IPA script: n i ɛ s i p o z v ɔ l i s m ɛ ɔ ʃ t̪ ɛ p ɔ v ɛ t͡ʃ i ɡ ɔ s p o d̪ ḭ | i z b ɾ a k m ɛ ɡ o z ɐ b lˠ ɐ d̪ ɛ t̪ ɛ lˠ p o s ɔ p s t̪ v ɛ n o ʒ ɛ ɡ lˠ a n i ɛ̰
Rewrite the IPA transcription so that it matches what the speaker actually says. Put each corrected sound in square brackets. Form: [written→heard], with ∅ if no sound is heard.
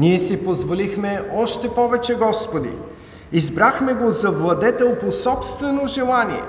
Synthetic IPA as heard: n i ɛ s i p o z v [ɔ→o] l i [s→x] m ɛ ɔ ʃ t̪ ɛ p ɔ v ɛ t͡ʃ [i→ɛ] ɡ ɔ s p o d̪ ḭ | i z b ɾ a [k→x] m ɛ ɡ o z ɐ [b→v] lˠ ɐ d̪ ɛ t̪ ɛ lˠ p o s ɔ p s t̪ v ɛ n o ʒ ɛ [ɡ→∅] lˠ a n i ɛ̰